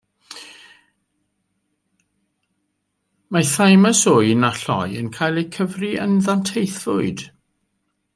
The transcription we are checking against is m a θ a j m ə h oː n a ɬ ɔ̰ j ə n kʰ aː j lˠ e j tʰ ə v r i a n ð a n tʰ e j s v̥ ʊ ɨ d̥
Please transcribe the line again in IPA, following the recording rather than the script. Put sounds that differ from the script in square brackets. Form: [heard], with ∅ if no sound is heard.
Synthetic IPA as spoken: m a θ a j m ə [s] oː n a ɬ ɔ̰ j ə n kʰ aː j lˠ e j [kʰ] ə v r i [ə] n ð a n tʰ e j [θ] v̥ ʊ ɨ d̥